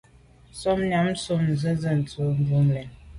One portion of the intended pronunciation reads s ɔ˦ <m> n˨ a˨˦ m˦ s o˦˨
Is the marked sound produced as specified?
yes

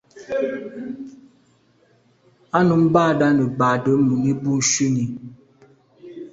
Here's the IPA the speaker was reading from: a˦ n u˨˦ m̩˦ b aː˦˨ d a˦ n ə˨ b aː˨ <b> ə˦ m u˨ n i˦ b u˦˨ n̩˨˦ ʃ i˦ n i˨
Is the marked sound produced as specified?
no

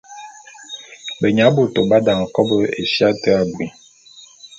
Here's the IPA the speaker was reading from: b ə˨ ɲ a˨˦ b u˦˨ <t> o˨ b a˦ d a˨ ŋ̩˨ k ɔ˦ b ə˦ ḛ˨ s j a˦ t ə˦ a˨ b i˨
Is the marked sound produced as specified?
yes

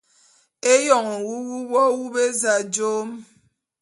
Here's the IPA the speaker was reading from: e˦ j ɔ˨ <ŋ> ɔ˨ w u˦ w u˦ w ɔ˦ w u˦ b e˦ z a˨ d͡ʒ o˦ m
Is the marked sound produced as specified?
yes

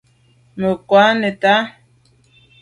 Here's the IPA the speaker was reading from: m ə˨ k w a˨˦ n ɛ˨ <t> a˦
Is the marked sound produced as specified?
yes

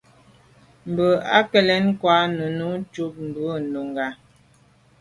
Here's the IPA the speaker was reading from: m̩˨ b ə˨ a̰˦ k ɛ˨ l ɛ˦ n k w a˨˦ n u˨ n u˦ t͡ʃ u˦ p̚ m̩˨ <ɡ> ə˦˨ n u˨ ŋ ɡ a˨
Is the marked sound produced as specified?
no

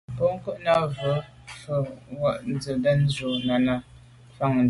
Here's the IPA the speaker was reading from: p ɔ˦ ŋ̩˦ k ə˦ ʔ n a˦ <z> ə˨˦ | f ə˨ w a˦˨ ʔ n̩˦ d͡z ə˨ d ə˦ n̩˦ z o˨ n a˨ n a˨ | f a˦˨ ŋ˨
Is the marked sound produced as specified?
no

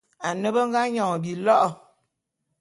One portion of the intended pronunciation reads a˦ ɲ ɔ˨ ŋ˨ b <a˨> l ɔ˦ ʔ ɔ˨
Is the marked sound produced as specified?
no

